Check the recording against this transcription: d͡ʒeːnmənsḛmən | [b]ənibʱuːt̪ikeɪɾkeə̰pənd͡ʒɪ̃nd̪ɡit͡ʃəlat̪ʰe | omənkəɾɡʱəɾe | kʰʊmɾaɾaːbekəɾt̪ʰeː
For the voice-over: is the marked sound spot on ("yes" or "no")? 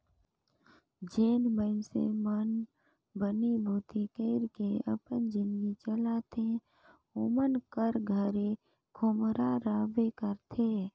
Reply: yes